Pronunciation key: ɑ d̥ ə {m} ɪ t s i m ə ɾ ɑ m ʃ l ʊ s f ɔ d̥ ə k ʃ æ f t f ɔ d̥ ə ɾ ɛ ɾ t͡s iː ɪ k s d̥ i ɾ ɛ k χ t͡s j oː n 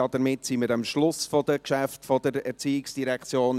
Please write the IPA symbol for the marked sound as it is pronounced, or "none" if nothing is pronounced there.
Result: m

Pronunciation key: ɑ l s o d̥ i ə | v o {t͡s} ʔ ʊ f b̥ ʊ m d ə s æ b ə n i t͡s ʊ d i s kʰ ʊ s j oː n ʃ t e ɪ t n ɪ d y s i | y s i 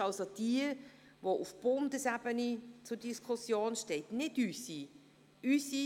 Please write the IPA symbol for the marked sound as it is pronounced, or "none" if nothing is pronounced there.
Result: none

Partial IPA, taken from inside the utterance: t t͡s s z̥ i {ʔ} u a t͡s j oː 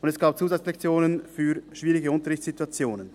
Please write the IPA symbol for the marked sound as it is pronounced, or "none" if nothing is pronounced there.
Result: t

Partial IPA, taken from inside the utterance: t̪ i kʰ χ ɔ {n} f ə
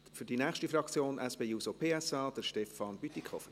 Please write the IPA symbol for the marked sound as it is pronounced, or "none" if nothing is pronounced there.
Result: none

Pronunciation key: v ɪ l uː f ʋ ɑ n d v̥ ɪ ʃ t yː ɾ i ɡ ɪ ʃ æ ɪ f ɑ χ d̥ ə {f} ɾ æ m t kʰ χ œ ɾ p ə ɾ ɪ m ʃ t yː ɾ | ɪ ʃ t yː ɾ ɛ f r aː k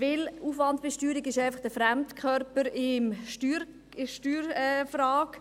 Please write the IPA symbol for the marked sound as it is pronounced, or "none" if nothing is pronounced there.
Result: f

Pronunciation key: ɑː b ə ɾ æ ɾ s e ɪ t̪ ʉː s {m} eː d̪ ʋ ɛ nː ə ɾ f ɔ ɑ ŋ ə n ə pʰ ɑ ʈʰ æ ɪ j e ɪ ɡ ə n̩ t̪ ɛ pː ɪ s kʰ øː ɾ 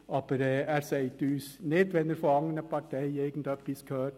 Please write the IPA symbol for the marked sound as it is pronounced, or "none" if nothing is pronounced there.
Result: n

